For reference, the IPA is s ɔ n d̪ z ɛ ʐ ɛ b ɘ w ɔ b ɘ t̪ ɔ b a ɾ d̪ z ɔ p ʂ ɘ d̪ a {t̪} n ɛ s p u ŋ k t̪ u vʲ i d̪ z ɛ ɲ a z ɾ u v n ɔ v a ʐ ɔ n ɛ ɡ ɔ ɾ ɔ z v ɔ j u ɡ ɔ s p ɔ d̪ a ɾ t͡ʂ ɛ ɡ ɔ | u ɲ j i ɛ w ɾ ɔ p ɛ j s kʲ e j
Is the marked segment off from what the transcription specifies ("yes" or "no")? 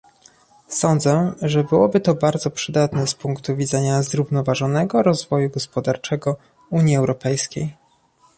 no